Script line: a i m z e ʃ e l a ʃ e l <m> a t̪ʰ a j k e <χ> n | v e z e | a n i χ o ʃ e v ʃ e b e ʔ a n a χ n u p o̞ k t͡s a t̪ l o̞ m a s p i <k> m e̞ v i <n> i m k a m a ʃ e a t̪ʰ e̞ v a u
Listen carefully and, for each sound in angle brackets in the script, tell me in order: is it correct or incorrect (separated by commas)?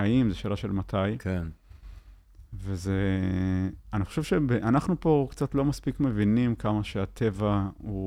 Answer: correct, incorrect, correct, correct